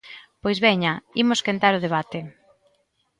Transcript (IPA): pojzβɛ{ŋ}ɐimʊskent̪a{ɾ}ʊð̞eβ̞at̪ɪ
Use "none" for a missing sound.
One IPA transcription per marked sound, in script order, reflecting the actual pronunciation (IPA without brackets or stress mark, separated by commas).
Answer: ɲ, ɾ